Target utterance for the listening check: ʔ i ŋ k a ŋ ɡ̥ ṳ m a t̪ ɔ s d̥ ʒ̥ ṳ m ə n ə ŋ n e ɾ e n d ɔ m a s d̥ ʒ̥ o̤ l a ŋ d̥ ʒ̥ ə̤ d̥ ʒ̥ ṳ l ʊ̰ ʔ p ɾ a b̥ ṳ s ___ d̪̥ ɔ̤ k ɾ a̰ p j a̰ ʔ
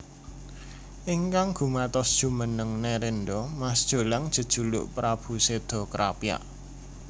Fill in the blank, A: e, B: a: A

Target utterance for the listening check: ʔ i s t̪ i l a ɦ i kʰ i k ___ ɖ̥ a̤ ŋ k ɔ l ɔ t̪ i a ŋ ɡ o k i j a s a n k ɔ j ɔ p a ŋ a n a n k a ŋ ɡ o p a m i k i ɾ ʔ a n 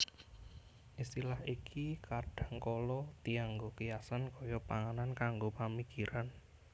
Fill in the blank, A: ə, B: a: B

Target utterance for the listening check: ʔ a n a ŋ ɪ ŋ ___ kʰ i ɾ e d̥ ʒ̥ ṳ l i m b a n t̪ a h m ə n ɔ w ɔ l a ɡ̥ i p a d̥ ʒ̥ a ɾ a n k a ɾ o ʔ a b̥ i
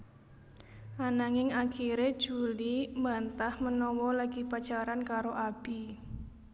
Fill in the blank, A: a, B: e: A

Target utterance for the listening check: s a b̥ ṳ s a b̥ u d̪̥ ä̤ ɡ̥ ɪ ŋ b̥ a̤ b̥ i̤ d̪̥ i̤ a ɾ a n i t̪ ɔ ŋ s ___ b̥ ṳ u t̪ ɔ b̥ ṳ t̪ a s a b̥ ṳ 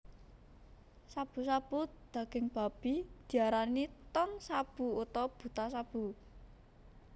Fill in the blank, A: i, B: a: B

